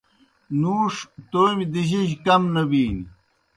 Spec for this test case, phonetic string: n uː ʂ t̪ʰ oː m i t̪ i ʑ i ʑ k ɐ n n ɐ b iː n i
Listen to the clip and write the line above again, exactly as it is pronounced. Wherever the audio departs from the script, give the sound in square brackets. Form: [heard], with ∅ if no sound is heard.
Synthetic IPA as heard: n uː ʂ [t̪] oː m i [d̪] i ʑ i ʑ k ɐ [m] n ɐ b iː n i